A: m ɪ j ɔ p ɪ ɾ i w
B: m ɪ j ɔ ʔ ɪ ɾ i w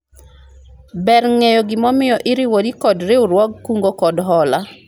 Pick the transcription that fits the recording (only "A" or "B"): B